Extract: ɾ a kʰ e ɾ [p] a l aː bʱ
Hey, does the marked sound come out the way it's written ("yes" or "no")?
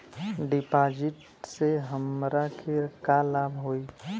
no